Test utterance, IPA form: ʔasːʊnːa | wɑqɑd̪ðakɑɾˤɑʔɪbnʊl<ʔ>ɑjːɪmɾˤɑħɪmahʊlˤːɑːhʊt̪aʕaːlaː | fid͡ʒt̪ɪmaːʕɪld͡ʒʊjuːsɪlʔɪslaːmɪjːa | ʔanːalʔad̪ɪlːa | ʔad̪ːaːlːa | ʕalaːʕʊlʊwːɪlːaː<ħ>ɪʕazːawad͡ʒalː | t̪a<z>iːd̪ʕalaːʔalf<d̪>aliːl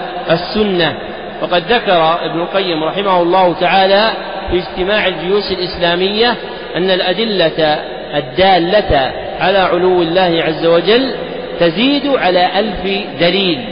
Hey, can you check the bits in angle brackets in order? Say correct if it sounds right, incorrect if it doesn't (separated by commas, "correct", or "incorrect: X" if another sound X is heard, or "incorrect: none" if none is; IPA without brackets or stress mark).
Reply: incorrect: q, incorrect: h, correct, correct